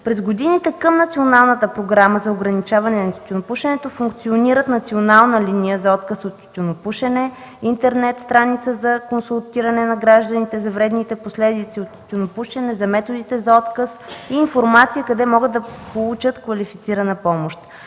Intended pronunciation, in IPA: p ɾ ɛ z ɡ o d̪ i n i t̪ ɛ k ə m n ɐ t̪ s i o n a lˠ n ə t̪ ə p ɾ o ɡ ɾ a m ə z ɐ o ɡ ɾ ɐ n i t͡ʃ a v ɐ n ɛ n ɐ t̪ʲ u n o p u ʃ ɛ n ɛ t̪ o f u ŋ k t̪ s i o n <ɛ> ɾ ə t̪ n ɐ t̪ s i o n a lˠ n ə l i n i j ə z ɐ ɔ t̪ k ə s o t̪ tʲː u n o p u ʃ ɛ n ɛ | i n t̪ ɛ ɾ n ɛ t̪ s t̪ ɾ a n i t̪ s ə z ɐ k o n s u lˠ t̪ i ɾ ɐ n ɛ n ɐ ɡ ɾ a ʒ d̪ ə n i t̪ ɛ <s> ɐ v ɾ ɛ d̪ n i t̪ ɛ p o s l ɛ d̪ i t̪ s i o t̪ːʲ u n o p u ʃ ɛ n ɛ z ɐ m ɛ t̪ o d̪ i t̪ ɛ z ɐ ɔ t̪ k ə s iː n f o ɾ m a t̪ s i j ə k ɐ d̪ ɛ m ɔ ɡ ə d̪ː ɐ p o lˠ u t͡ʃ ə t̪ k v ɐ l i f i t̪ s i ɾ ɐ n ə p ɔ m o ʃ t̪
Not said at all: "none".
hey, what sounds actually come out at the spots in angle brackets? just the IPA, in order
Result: i, z

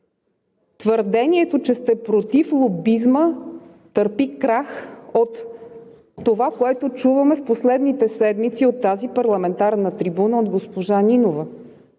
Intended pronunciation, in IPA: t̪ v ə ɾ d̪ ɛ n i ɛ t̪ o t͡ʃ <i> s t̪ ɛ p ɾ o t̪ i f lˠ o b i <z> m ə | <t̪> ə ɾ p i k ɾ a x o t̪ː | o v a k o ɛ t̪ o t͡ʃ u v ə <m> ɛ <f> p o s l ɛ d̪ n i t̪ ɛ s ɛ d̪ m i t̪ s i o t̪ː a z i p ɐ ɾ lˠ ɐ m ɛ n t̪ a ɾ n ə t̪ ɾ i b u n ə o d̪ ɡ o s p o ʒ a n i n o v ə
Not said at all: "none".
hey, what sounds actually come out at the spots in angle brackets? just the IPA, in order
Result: ɛ, z, t̪, m, f

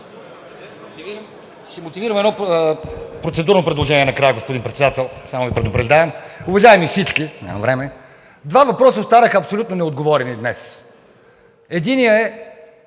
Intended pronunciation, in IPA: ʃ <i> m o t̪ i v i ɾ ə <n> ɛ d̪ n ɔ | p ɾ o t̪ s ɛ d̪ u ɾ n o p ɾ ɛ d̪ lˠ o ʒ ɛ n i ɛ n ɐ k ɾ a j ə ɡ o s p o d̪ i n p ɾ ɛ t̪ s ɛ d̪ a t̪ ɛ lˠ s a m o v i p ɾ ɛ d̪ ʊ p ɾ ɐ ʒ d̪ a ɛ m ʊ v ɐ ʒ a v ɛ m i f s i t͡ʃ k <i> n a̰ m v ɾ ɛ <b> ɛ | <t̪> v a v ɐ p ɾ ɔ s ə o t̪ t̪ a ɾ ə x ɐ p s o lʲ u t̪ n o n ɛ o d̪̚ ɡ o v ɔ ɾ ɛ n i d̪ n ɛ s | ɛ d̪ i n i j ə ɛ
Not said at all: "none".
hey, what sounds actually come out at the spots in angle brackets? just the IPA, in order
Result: ɛ, m, i, m, d̪

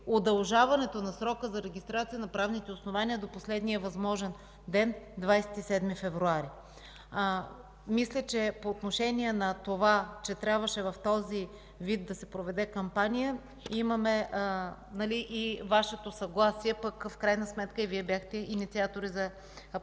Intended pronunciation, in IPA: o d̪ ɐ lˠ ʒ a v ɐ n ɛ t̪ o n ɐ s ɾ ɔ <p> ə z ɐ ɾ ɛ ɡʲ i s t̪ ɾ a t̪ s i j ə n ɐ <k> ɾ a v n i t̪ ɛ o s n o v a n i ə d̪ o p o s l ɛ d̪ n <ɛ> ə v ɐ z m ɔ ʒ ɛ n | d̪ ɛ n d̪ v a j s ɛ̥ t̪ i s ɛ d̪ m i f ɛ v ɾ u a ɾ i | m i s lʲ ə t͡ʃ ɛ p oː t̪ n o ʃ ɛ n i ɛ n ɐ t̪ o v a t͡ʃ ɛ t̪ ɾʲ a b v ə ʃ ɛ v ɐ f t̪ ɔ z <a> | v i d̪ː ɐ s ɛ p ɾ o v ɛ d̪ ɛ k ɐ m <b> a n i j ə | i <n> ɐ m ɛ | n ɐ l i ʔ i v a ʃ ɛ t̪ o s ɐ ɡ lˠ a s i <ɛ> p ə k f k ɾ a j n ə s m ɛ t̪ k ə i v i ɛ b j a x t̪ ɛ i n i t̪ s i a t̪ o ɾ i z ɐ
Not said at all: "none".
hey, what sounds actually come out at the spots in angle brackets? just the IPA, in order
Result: k, p, i, i, p, m, ɛ

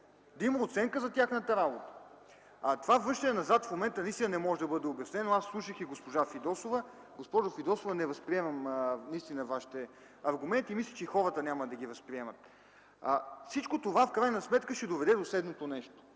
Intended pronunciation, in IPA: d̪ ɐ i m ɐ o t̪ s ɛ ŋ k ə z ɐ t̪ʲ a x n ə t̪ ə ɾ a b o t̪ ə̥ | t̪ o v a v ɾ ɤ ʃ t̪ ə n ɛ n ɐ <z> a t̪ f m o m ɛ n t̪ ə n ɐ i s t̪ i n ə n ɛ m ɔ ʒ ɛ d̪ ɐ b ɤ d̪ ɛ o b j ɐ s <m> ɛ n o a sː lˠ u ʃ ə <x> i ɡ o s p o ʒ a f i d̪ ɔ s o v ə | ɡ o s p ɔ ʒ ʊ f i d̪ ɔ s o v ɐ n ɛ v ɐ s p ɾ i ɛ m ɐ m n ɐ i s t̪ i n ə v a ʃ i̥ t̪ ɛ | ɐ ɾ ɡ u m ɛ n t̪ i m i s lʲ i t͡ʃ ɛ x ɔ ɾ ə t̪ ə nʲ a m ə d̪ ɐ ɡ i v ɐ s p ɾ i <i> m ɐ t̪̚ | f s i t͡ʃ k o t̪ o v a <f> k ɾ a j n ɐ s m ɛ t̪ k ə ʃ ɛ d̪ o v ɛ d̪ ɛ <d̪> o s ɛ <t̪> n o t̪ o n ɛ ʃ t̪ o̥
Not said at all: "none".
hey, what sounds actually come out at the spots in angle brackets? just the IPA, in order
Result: z, n, x, ɛ, f, d̪, d̪

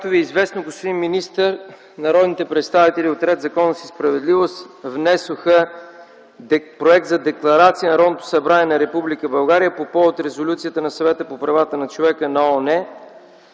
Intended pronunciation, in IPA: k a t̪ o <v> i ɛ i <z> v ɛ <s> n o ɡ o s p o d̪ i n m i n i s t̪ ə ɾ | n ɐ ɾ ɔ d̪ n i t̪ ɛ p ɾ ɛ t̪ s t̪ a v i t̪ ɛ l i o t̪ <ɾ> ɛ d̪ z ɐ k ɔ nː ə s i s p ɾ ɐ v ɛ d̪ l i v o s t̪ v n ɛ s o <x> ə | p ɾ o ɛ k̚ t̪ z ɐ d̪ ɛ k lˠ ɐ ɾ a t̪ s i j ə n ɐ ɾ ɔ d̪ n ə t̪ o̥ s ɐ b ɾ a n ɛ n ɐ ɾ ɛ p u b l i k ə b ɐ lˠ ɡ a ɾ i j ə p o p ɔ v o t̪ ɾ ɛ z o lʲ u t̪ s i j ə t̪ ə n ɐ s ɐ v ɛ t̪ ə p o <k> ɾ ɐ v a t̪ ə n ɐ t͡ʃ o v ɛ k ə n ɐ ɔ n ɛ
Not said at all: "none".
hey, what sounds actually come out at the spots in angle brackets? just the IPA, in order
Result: v, z, s, ɾ, x, p

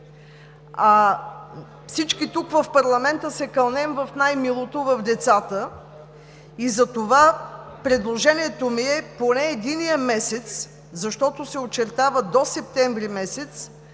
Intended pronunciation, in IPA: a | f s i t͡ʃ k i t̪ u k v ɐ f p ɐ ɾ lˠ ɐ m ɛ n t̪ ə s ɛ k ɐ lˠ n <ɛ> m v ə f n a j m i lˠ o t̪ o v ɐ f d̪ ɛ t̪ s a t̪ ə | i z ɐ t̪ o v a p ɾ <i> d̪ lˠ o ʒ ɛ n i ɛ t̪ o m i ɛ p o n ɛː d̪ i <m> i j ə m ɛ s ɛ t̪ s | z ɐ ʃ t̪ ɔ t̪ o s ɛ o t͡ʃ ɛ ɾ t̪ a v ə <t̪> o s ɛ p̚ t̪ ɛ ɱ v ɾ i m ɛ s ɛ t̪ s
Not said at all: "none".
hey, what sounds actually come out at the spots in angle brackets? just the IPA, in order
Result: ɛ, ɛ, n, d̪

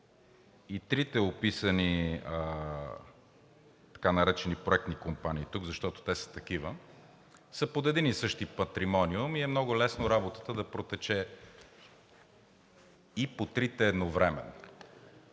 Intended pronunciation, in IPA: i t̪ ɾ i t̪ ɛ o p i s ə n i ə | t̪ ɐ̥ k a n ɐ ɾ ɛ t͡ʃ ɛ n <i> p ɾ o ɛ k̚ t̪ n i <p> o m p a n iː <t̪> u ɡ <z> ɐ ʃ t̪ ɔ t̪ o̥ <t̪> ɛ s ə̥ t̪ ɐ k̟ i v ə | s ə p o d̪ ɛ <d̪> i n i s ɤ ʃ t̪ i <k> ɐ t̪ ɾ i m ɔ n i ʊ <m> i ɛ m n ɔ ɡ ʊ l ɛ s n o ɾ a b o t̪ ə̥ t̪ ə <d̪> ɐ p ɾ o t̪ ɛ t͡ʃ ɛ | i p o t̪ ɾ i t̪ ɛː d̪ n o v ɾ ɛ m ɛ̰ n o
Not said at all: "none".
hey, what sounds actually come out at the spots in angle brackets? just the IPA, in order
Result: i, k, t̪, z, t̪, d̪, p, m, d̪

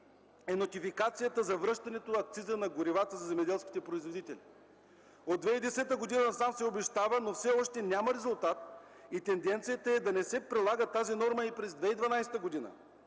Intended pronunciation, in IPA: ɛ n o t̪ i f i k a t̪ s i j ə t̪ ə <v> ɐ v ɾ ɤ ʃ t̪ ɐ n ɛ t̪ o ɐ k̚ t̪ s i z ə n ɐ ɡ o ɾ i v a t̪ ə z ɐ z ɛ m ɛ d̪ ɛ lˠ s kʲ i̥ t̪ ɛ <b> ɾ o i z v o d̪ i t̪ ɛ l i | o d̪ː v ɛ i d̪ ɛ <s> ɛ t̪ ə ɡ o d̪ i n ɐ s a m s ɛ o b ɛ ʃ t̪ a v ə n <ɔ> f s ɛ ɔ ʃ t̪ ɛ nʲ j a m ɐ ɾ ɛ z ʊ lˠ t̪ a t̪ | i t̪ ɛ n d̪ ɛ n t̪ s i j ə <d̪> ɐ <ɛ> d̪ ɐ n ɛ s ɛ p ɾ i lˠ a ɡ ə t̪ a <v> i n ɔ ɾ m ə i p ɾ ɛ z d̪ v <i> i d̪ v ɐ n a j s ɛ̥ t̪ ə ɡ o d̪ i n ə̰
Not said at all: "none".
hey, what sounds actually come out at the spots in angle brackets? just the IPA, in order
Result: z, p, s, o, t̪, ɛ, z, ɛ

